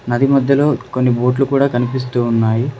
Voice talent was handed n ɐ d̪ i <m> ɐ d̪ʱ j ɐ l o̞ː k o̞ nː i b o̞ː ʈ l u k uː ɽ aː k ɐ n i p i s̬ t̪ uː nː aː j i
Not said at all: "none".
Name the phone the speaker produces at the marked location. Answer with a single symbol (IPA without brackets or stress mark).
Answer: m